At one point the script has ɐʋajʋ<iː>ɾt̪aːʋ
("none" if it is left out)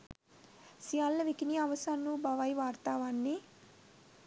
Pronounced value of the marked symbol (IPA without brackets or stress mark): aː